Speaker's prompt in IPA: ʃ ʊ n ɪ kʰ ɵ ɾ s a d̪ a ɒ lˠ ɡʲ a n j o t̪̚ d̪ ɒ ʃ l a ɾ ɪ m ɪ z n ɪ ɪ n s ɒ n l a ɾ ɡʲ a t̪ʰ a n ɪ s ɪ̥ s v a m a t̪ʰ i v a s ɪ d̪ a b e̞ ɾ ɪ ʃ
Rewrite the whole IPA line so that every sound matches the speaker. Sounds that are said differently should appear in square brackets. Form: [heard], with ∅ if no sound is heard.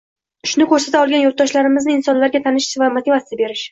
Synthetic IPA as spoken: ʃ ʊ n ɪ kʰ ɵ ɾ s a [t̪] a ɒ lˠ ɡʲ a n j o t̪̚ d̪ ɒ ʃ l a ɾ ɪ m ɪ z n ɪ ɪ n s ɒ n l a ɾ ɡʲ a t̪ʰ a n ɪ [ʃ] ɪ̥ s v a m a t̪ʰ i v a s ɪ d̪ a b e̞ ɾ ɪ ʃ